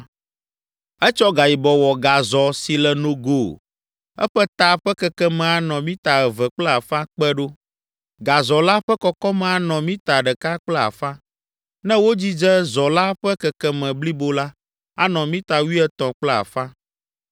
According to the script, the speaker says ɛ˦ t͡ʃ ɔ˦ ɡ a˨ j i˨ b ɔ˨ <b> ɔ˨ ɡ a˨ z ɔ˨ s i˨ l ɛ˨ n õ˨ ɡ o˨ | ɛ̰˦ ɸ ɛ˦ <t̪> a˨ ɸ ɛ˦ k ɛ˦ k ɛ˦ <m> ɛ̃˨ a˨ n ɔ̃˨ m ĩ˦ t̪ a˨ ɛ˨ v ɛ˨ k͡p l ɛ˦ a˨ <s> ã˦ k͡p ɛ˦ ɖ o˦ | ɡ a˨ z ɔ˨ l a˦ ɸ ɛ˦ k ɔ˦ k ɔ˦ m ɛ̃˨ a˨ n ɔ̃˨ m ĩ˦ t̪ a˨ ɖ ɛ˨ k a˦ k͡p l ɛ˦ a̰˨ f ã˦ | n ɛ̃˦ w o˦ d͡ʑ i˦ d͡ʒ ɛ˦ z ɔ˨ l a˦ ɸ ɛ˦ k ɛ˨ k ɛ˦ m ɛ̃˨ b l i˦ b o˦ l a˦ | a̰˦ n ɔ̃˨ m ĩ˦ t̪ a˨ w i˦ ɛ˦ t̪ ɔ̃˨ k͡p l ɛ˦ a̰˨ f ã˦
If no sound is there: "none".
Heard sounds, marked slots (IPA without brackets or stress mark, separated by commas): w, t̪, m, f